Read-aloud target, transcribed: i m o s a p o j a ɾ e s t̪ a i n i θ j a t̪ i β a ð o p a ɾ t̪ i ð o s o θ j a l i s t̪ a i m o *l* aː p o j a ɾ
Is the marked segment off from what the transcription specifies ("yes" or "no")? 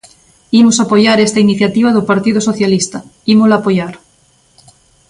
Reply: no